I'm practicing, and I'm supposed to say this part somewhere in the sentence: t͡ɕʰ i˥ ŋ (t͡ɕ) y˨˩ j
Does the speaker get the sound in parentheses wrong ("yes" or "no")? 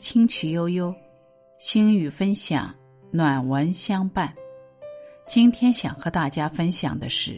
yes